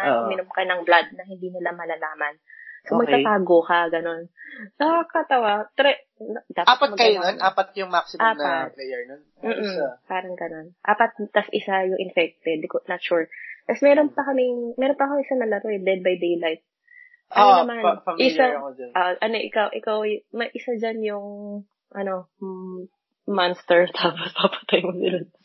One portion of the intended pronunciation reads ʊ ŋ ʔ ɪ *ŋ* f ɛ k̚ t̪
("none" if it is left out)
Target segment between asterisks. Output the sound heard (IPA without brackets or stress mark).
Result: n